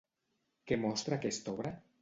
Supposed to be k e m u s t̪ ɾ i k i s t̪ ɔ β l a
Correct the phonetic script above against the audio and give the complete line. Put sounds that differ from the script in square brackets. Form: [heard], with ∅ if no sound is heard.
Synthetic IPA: k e m [ɔ] s t̪ ɾ [a] k [e] s t̪ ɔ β [ɾ] a